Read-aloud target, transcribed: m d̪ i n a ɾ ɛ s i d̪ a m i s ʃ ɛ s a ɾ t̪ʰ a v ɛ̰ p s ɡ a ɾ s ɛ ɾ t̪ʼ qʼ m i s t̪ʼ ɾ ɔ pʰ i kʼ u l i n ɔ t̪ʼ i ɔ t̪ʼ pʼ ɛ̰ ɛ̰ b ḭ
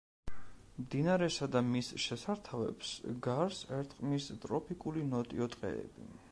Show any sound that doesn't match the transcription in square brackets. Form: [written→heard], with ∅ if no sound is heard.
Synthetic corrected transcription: m d̪ i n a ɾ ɛ s [i→a] d̪ a m i s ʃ ɛ s a ɾ t̪ʰ a v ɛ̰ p s ɡ a ɾ s ɛ ɾ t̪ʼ qʼ m i s t̪ʼ ɾ ɔ pʰ i kʼ u l i n ɔ t̪ʼ i ɔ t̪ʼ [pʼ→qʼ] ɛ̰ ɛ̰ b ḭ